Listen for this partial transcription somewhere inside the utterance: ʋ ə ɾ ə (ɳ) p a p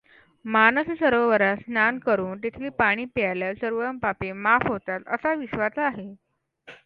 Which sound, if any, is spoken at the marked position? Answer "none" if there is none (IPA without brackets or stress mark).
m